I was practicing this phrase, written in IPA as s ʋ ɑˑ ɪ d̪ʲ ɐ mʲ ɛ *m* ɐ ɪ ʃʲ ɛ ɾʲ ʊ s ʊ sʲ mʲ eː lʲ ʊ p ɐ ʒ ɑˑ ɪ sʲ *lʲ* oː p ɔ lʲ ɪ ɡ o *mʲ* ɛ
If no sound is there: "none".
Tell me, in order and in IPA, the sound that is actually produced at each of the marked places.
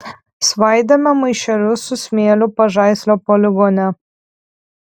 m, lʲ, nʲ

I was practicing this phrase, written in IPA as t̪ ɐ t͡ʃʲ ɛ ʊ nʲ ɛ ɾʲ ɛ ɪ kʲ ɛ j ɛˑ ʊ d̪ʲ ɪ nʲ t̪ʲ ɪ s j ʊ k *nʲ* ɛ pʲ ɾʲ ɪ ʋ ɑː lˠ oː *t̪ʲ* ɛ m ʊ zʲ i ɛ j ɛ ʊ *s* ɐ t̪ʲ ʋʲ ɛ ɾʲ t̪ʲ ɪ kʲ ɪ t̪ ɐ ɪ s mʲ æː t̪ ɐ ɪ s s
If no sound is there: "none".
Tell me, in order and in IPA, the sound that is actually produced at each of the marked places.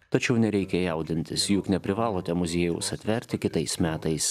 nʲ, t̪ʲ, s

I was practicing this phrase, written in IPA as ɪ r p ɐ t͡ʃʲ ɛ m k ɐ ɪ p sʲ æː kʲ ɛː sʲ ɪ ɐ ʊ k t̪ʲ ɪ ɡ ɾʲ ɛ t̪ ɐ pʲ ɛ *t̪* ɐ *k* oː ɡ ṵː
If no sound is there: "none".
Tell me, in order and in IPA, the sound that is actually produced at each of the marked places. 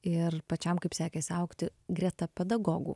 d̪, ɡ

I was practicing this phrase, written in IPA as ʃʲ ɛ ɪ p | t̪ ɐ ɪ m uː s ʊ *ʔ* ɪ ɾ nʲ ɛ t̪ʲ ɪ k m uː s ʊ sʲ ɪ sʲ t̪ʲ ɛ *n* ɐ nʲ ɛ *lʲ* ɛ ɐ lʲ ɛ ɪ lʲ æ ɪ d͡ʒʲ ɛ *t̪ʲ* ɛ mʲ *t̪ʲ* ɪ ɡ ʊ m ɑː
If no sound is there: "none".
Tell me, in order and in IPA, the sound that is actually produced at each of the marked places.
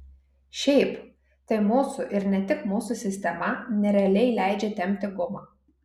ʔ, m, ɾʲ, t̪ʲ, t̪ʲ

